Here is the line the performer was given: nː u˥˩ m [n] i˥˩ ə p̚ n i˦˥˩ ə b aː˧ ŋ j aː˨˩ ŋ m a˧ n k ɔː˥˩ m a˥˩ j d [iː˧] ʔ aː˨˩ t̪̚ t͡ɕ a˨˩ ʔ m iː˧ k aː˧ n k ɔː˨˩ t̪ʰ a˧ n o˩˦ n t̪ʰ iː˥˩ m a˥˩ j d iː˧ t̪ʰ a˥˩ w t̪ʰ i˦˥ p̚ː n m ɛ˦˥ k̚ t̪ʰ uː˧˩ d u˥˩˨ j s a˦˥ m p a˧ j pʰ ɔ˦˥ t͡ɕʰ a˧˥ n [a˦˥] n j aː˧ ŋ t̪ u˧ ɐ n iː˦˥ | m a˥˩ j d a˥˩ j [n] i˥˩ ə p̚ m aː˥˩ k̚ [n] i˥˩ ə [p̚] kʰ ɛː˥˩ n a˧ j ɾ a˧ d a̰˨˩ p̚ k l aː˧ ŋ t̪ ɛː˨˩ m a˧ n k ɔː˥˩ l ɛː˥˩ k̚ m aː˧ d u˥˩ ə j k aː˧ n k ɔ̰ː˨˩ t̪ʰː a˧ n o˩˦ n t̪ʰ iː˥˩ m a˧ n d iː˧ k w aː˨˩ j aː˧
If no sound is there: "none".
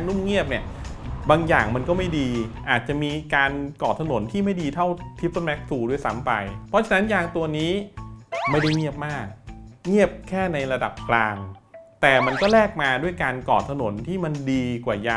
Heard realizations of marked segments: ŋ, iː˧, a˦˥, ŋ, ŋ, p̚

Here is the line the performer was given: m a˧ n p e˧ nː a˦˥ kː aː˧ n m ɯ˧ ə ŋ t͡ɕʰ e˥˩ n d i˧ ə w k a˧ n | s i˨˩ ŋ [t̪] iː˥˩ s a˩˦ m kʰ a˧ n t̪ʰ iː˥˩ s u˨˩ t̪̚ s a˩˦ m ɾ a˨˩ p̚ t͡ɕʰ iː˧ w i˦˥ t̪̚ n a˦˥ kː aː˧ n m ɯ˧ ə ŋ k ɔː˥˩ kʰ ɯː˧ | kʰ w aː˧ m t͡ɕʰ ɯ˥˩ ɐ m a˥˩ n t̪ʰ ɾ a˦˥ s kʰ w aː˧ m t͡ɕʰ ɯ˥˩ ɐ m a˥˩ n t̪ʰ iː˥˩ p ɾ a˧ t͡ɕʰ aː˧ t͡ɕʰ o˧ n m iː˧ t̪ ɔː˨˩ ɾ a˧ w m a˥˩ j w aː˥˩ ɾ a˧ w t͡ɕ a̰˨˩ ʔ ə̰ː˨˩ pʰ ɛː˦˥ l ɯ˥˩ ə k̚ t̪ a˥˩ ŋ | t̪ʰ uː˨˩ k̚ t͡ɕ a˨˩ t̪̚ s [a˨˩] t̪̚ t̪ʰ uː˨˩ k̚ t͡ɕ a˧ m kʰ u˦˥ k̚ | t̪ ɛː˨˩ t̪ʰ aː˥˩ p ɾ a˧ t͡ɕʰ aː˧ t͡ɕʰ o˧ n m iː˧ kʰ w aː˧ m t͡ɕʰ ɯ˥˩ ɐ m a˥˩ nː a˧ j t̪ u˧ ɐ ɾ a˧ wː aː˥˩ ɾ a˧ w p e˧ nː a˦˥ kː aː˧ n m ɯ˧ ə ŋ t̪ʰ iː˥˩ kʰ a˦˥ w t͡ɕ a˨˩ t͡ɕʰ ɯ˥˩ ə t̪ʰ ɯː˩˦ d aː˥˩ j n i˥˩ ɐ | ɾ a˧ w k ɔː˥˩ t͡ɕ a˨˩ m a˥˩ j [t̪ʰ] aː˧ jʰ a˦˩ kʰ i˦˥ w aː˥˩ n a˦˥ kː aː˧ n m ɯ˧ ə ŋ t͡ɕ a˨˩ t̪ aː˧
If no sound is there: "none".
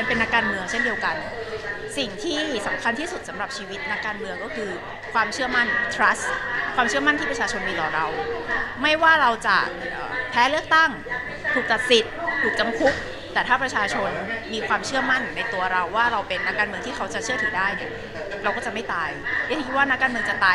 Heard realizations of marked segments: t̪ʰ, i˨˩, t̪

